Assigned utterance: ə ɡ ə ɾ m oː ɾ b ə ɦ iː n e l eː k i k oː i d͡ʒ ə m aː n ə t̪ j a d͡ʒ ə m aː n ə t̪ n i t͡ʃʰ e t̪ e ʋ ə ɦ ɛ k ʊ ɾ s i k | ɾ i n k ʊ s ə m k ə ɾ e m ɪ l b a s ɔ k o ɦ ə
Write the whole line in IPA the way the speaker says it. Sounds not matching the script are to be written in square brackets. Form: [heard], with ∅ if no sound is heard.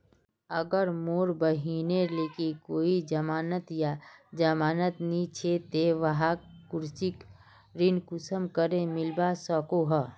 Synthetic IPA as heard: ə ɡ ə ɾ m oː ɾ b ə ɦ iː n e l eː k i k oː i d͡ʒ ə m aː n ə t̪ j a d͡ʒ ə m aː n ə t̪ n i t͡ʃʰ e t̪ e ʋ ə ɦ [a] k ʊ ɾ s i k | ɾ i n k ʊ s ə m k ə ɾ e m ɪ l b a s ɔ k o ɦ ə